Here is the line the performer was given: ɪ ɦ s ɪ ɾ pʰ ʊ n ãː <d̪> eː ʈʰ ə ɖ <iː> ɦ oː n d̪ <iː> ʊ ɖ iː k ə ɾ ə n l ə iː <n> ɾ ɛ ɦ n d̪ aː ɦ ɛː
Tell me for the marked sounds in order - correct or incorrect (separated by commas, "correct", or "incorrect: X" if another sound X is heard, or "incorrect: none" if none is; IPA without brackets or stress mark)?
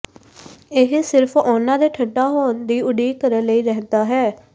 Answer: correct, incorrect: aː, correct, incorrect: none